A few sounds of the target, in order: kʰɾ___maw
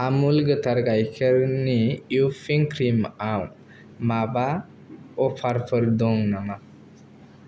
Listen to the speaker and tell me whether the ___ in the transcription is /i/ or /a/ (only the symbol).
i